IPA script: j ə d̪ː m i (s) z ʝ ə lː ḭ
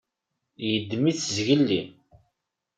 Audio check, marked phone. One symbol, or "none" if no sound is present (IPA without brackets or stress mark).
θ